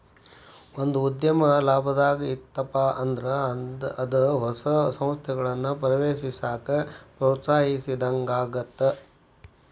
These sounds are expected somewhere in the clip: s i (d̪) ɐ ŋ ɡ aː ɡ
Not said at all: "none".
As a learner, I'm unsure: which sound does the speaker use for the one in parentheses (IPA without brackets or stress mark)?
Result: d̪